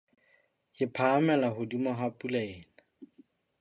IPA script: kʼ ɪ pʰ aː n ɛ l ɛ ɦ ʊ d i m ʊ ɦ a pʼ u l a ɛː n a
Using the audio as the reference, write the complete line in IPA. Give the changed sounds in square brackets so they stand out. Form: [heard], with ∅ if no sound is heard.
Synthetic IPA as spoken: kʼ ɪ pʰ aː [m] ɛ l [a] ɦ ʊ d i m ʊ ɦ a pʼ u l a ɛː n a